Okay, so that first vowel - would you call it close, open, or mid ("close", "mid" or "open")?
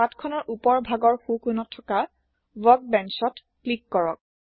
open